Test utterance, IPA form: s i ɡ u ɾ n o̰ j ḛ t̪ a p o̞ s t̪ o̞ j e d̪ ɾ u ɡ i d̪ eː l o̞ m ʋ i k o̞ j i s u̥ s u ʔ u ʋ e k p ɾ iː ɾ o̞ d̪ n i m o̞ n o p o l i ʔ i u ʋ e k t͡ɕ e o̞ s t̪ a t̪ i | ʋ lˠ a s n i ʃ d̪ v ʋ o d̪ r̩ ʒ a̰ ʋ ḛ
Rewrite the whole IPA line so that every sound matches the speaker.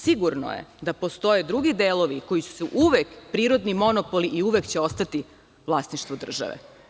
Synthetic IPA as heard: s i ɡ u ɾ n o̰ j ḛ d̪ a p o̞ s t̪ o̞ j e d̪ ɾ u ɡ i d̪ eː l o̞ ʋ i k o̞ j i s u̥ s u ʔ u ʋ e k p ɾ iː ɾ o̞ d̪ n i m o̞ n o p o l i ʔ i u ʋ e k t͡ɕ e o̞ s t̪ a t̪ i | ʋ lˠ a s n i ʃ t̪ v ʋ o d̪ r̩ ʒ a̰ ʋ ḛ